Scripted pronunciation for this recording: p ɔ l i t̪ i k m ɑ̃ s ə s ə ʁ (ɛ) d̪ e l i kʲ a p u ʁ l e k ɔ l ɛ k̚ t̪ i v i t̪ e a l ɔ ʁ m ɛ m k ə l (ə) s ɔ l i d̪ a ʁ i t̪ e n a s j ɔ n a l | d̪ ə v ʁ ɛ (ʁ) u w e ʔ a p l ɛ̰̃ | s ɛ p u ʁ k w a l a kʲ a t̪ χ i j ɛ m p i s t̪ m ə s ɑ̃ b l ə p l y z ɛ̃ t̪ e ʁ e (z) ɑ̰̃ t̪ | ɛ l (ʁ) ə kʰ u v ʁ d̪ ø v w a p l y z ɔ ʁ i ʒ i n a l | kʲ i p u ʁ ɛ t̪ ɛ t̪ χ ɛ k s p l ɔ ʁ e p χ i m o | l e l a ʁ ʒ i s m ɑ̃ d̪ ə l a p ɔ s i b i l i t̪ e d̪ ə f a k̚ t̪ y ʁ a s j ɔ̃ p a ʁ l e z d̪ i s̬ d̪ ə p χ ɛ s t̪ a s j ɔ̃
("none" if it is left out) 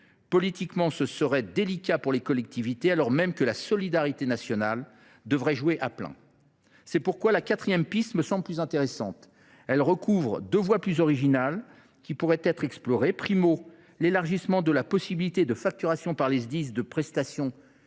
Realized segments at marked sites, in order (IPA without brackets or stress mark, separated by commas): ɛ, a, ʒ, s, ʁ